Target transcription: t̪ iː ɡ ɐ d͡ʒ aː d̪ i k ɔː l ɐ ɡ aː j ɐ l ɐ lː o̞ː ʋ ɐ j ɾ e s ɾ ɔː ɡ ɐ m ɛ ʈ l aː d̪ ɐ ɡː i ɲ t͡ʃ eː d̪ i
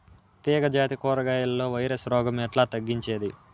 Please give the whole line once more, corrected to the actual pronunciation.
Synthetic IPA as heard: t̪ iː ɡ ɐ d͡ʒ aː t̪ i k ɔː ɾ ɐ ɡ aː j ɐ l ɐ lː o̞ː ʋ ɐ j ɾ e s ɾ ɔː ɡ ɐ m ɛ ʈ l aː t̪ ɐ ɡː i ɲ t͡ʃ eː d̪ i